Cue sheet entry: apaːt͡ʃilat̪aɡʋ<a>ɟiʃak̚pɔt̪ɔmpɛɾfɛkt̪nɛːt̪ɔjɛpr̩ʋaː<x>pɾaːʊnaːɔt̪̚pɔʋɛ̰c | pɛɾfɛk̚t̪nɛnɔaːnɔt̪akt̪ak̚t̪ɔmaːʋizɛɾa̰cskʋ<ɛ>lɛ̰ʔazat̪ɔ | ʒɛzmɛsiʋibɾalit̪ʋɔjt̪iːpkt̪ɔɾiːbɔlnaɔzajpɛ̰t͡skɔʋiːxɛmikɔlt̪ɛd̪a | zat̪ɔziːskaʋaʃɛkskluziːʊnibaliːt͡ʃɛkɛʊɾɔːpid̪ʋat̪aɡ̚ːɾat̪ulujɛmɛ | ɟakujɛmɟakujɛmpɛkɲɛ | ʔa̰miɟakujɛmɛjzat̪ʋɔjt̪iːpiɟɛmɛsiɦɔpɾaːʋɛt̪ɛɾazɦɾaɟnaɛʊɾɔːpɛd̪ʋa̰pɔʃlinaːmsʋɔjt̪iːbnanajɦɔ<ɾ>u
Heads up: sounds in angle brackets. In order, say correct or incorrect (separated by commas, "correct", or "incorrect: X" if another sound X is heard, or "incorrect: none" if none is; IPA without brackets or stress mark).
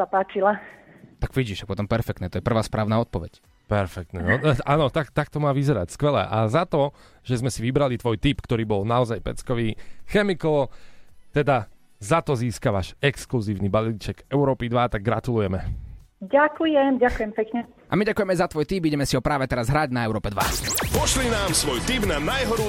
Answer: incorrect: i, incorrect: s, correct, correct